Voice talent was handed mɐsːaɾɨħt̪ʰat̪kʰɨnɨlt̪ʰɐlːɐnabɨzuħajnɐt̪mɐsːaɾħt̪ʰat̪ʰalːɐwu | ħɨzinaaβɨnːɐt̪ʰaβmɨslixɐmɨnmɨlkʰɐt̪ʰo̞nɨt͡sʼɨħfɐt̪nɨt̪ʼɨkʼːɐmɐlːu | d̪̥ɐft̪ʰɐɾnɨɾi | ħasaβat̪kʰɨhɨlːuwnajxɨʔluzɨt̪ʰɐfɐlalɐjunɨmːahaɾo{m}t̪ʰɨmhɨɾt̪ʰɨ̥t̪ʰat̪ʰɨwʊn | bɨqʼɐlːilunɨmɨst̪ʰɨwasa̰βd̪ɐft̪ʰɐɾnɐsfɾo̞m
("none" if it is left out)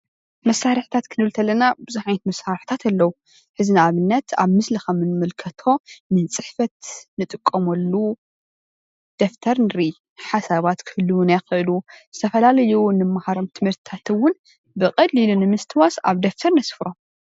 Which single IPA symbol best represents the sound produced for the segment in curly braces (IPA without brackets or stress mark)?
m